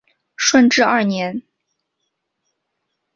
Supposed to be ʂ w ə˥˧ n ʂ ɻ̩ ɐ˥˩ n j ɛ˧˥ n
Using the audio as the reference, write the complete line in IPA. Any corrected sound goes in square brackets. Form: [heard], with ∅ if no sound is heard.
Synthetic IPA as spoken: ʂ w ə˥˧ n [ʈ͡ʂ] ɻ̩ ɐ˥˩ n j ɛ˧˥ n